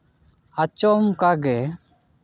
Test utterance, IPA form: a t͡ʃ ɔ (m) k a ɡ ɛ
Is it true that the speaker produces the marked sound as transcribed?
yes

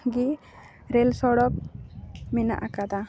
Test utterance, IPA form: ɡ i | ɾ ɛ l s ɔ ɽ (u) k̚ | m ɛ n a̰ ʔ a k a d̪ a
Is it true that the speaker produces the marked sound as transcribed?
no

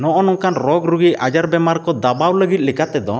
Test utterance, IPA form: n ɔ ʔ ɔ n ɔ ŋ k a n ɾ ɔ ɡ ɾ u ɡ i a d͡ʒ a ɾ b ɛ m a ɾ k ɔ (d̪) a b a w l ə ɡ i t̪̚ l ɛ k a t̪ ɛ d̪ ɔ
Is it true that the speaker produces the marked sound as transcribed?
yes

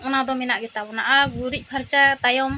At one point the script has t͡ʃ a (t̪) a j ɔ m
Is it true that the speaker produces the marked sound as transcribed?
yes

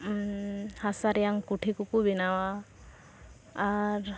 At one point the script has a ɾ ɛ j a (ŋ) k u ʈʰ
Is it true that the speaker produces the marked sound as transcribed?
yes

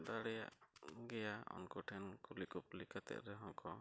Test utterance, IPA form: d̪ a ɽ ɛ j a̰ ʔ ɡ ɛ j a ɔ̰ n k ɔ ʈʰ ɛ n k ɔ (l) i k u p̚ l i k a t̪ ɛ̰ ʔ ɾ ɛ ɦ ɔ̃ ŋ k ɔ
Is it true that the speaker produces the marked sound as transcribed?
yes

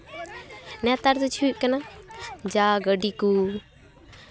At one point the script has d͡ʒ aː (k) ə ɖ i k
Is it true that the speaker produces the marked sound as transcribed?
no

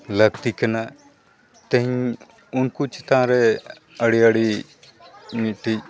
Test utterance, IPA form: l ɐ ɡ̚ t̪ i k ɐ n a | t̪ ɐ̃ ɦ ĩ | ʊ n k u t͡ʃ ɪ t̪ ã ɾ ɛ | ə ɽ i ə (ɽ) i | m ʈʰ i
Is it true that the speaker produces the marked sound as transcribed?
yes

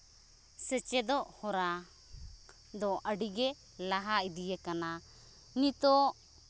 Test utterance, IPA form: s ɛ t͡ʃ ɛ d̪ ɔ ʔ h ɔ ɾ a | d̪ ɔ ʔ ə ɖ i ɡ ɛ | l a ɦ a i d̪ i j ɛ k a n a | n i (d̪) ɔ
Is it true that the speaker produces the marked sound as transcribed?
no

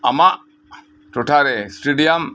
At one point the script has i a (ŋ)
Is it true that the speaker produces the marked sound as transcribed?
no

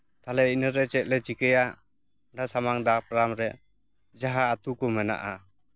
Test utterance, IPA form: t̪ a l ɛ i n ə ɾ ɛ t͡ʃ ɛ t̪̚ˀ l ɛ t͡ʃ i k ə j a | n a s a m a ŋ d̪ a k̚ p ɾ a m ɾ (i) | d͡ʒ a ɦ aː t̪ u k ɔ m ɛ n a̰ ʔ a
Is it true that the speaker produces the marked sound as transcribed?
no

